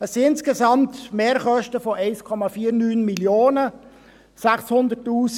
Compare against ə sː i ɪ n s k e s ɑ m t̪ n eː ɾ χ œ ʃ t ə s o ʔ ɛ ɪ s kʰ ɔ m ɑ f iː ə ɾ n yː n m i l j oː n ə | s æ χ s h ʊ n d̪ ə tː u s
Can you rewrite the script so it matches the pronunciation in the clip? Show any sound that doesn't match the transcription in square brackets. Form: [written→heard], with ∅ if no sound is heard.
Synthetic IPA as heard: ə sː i ɪ n s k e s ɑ m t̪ [n→m] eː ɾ χ œ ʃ t ə [s→f] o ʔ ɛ ɪ s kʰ ɔ m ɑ f iː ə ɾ n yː n m i l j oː n ə | s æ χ s h ʊ n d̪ ə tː [u→uː] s

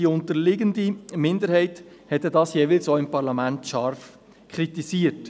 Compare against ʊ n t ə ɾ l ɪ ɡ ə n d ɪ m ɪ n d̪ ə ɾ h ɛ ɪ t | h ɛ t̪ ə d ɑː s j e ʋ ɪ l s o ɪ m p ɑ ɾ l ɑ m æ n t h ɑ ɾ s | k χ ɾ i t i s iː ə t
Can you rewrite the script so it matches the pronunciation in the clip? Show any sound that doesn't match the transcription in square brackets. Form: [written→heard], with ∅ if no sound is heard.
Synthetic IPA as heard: ʊ n t ə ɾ l ɪ ɡ ə n d [ɪ→i] m ɪ n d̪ ə ɾ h ɛ ɪ t | h ɛ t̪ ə d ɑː s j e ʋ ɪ l s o ɪ m p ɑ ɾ l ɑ m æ n t [h→ʃ] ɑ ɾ [s→f] | k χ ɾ i t i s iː ə t

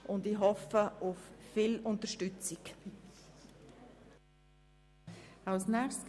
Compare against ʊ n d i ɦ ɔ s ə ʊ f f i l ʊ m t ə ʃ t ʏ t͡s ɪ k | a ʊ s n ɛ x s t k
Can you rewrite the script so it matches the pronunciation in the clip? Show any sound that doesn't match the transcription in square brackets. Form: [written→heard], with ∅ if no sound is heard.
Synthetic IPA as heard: ʊ n d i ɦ ɔ [s→f] ə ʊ f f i l ʊ [m→n] t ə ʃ t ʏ t͡s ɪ k | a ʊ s n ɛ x s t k

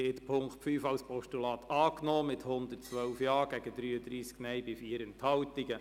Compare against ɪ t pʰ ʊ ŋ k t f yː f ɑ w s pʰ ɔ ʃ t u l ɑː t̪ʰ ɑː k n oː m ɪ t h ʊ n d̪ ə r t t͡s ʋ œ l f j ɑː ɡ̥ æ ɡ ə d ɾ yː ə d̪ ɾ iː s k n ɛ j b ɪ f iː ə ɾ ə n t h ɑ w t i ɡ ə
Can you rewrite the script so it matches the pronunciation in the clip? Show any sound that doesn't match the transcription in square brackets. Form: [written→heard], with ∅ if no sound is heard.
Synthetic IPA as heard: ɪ t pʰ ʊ ŋ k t f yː f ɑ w s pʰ ɔ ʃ t u l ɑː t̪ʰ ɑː k n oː m ɪ t h ʊ n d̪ ə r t t͡s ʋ œ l f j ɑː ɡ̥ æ ɡ ə d ɾ yː ə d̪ ɾ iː s k n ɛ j b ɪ f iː ə ɾ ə n t h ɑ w t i ɡ ə

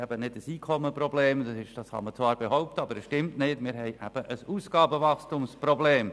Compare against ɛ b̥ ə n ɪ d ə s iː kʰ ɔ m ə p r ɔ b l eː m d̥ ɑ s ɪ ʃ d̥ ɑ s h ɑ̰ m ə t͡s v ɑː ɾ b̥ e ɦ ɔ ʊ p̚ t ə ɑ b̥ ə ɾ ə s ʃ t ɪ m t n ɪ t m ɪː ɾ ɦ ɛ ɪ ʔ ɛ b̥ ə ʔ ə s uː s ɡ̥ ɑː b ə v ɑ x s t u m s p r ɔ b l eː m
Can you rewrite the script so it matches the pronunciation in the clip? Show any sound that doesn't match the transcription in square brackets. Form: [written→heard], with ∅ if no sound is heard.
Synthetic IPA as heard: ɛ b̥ ə n ɪ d ə s iː kʰ ɔ m ə p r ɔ b l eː m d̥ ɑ s ɪ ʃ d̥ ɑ s h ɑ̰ m ə t͡s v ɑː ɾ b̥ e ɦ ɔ ʊ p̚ t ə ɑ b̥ ə ɾ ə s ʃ t ɪ m t n ɪ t m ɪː ɾ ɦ ɛ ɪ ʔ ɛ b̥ ə ʔ ə s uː s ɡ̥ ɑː b ə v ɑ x s t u m s p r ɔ b l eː m

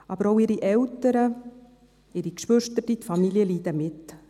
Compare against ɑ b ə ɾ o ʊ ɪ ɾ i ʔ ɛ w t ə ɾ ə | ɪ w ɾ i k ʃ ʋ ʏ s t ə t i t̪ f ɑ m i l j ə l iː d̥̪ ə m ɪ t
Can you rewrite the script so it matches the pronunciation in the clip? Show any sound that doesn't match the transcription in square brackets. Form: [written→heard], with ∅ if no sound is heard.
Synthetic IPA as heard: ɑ b ə ɾ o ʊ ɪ ɾ i ʔ ɛ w t ə ɾ ə | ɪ [w→∅] ɾ i k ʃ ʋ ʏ [s→ʃ] t ə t i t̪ f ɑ m i l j ə l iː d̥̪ ə m ɪ t

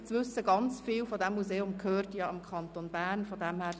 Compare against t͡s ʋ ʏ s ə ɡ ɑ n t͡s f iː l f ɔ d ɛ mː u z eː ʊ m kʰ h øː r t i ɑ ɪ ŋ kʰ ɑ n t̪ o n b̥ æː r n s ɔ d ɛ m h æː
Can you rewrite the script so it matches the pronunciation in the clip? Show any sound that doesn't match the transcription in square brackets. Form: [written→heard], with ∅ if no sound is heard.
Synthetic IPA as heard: t͡s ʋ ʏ s ə ɡ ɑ n t͡s f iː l f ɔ d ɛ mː u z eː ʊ m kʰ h øː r t [i→j] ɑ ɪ [ŋ→m] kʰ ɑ n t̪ o n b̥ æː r n [s→f] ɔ d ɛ m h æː

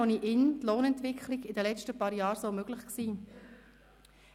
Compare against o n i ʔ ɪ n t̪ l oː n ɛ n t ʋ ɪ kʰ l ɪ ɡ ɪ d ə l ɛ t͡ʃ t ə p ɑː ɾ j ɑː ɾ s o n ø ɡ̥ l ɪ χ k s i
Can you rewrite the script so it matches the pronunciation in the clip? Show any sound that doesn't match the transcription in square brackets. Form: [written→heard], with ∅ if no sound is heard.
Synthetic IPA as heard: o n i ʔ ɪ n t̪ l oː n ɛ n t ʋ ɪ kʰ l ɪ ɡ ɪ d ə l ɛ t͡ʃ t ə p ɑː ɾ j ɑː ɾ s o [n→m] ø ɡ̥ l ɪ χ k s [i→iː]

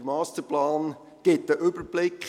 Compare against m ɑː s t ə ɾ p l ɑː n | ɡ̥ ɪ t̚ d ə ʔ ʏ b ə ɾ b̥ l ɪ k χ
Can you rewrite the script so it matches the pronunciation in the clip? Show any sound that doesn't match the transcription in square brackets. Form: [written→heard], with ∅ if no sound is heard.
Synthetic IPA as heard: m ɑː s t ə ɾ p l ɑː n | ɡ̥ ɪ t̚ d ə ʔ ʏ b ə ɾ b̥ l ɪ k χ

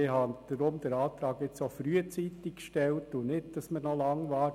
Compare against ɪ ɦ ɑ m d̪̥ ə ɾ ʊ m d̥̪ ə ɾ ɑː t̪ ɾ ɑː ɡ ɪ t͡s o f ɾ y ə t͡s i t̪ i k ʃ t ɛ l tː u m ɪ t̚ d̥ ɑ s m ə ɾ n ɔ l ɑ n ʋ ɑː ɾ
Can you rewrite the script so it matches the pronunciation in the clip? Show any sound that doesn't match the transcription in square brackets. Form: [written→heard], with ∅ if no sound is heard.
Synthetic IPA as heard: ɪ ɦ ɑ [m→n] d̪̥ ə ɾ ʊ m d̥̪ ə ɾ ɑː t̪ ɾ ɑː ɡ ɪ t͡s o f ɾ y ə t͡s i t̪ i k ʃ t ɛ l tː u [m→n] ɪ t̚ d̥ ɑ s m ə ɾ n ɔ l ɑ [n→ŋ] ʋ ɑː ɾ

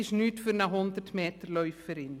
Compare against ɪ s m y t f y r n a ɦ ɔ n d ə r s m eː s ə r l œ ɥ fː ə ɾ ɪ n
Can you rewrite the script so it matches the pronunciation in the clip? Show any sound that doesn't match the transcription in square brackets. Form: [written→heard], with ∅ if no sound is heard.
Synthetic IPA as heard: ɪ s [m→n] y t f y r n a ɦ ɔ n d ə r [s→t] m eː [s→t] ə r l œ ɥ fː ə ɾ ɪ n

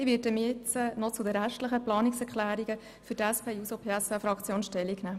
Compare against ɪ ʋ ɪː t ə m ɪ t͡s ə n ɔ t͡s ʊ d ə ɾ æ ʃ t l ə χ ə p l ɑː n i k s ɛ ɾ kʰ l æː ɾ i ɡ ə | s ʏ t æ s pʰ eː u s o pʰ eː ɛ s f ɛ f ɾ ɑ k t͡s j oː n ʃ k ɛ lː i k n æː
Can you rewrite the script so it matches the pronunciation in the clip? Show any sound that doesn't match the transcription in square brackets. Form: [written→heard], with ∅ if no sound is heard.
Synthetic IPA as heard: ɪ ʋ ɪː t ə m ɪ t͡s ə n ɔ t͡s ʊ d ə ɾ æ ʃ t l ə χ ə p l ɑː n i k s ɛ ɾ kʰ l æː ɾ i ɡ ə | [s→f] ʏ t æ s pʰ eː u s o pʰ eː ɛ s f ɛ f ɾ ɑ k t͡s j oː n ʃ [k→t] ɛ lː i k n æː

